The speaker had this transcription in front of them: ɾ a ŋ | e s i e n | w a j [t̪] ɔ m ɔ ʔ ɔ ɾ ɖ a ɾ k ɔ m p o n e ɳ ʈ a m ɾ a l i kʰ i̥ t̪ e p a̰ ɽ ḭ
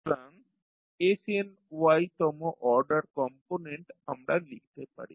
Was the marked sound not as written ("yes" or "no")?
no